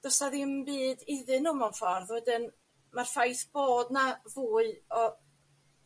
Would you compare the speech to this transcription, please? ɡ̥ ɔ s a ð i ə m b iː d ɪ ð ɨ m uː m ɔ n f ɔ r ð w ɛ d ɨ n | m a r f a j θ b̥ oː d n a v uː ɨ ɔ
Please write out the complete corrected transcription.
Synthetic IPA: d̥ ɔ s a ð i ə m b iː d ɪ ð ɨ n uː m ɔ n f ɔ r ð w ɛ d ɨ n | m a r f a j θ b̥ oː d n a v uː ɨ ɔ